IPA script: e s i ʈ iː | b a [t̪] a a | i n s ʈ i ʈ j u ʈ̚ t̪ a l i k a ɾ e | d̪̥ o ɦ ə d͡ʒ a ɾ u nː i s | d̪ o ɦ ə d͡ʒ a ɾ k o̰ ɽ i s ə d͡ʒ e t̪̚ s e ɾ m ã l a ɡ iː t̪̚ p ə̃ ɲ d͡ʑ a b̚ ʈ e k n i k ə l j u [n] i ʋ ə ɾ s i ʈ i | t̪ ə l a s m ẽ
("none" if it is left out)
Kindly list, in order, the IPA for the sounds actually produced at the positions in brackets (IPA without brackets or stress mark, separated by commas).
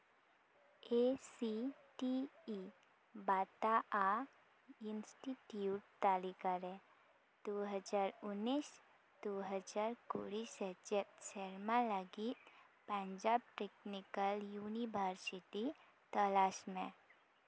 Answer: t̪, n